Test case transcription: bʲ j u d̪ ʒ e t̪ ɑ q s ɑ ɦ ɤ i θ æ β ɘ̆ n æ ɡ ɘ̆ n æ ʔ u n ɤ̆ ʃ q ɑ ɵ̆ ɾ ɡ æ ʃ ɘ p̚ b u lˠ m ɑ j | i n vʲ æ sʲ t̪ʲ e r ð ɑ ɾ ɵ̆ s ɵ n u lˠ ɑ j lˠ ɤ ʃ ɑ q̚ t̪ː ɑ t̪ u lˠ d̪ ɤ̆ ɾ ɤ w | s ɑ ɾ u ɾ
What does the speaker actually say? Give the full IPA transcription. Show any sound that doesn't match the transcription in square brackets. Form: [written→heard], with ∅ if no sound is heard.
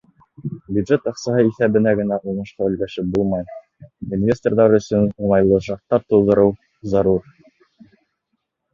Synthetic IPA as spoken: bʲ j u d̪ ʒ e t̪ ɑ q s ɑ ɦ ɤ i θ æ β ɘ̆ n æ ɡ ɘ̆ n æ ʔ u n ɤ̆ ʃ q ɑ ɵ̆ [ɾ→l] ɡ æ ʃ ɘ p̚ b u lˠ m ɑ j | i n vʲ [æ→e] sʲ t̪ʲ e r ð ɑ ɾ ɵ̆ s ɵ n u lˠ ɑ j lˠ ɤ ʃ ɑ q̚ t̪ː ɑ t̪ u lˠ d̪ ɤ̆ ɾ ɤ w | [s→z] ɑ ɾ u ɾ

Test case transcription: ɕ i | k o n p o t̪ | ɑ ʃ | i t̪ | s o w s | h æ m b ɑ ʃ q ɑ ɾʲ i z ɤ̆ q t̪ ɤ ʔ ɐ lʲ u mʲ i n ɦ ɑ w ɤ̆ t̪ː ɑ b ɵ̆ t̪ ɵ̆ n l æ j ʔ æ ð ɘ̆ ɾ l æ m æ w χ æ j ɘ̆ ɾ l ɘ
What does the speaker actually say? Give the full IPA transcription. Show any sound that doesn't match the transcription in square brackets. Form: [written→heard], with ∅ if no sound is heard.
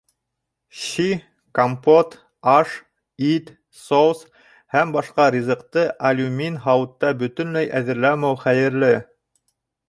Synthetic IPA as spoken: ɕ i | k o [n→m] p o t̪ | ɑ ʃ | i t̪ | s o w s | h æ m b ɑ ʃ q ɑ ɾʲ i z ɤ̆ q t̪ ɤ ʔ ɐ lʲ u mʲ i n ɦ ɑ w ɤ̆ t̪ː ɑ b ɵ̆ t̪ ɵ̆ n l æ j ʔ æ ð ɘ̆ ɾ l æ m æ w χ æ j ɘ̆ ɾ l ɘ

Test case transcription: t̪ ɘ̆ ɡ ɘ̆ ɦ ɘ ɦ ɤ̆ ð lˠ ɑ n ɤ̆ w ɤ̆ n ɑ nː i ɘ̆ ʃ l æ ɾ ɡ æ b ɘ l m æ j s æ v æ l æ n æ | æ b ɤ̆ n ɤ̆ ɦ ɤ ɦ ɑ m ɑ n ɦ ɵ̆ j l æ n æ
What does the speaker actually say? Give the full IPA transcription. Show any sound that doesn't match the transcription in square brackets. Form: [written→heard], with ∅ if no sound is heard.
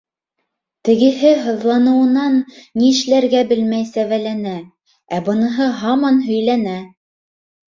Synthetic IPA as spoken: t̪ ɘ̆ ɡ ɘ̆ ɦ ɘ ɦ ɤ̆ ð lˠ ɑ n ɤ̆ w ɤ̆ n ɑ nː i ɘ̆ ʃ l æ ɾ ɡ æ b ɘ l m æ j s æ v æ l æ n æ | æ b ɤ̆ n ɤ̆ ɦ ɤ ɦ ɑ m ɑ n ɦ ɵ̆ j l æ n æ

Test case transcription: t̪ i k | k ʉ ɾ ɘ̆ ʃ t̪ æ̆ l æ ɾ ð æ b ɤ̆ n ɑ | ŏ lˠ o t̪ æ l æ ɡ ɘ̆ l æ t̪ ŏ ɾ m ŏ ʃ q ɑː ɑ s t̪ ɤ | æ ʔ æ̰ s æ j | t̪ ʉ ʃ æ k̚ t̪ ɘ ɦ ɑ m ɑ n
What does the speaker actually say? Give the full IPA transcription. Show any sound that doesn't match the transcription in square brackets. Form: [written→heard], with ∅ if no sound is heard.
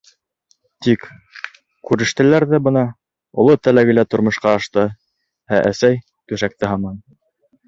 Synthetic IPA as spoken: t̪ i k | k ʉ ɾ ɘ̆ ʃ t̪ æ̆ l æ ɾ ð æ b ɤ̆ n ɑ | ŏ lˠ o t̪ æ l æ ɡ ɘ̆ l æ t̪ ŏ ɾ m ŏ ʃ q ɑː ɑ [s→ʃ] t̪ ɤ | æ ʔ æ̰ s æ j | t̪ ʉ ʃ æ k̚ t̪ ɘ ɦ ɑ m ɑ n

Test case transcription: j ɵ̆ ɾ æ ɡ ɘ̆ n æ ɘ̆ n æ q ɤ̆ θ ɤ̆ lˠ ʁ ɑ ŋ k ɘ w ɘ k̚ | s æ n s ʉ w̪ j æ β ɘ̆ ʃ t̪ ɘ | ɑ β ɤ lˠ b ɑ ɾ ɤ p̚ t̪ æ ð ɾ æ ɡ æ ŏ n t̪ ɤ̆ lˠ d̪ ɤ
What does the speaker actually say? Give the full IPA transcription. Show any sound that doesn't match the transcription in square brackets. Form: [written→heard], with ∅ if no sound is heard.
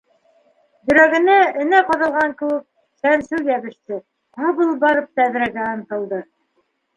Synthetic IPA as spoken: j ɵ̆ ɾ æ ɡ ɘ̆ n æ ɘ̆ n æ q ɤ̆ [θ→ð] ɤ̆ lˠ ʁ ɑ ŋ k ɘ w ɘ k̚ | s æ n s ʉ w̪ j æ β ɘ̆ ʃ t̪ ɘ | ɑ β ɤ lˠ b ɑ ɾ ɤ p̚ t̪ æ ð ɾ æ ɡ æ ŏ n t̪ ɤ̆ lˠ d̪ ɤ

